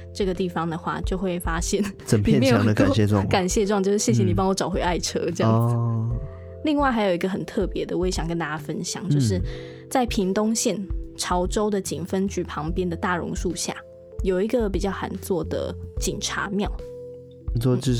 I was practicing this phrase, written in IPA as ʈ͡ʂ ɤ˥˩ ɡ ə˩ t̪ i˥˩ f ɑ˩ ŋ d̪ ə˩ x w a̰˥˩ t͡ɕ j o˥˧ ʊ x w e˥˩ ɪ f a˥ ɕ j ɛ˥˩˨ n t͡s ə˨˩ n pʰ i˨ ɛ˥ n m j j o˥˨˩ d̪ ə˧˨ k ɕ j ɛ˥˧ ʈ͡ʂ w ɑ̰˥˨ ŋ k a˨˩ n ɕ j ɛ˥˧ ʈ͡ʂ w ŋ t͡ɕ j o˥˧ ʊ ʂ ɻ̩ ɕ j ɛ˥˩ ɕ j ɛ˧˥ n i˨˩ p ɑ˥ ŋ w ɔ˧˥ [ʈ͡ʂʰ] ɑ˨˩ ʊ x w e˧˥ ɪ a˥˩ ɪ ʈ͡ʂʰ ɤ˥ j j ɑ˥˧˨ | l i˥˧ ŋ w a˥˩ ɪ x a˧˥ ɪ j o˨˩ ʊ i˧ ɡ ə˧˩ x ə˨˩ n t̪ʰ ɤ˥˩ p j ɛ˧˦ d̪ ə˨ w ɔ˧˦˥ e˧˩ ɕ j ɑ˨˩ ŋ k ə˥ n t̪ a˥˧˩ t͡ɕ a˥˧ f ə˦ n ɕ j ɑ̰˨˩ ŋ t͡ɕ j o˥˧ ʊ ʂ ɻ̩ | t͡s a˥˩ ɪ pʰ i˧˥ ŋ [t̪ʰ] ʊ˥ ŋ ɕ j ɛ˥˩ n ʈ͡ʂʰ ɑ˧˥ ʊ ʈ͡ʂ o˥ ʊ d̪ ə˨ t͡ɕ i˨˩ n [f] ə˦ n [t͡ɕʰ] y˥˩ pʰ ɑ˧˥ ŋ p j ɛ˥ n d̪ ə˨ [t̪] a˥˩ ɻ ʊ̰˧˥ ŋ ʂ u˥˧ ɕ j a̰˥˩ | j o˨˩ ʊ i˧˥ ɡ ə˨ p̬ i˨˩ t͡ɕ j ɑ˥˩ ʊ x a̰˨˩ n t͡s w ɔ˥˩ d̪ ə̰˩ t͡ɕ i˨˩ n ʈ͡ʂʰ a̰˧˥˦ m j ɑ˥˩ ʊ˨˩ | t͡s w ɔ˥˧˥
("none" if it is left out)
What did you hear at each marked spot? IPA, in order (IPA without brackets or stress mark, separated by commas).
ʈ͡ʂ, t̪, f, t͡ɕ, t̪